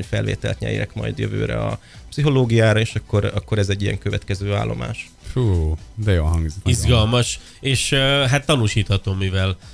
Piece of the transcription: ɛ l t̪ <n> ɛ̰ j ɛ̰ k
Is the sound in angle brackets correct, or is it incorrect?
incorrect